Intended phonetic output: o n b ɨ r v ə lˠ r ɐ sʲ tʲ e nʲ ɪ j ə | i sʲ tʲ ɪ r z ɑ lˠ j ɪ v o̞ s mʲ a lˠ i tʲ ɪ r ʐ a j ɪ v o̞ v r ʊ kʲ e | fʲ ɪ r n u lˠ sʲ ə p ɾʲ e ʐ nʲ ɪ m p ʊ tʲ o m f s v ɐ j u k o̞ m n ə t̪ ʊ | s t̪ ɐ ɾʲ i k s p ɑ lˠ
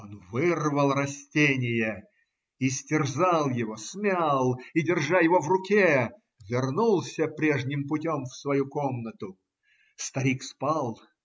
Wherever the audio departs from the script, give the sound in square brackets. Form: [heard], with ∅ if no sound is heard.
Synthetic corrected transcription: o n [v] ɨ r v ə lˠ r ɐ sʲ tʲ e nʲ ɪ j ə | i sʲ tʲ ɪ r z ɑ lˠ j ɪ v o̞ s mʲ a lˠ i [dʲ] ɪ r ʐ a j ɪ v o̞ v r ʊ kʲ e | [vʲ] ɪ r n u lˠ sʲ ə p ɾʲ e ʐ nʲ ɪ m p ʊ tʲ o m f s v ɐ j u k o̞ m n ə t̪ ʊ | s t̪ ɐ ɾʲ i k s p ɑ lˠ